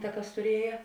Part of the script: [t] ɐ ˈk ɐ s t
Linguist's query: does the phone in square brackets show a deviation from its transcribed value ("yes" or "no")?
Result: no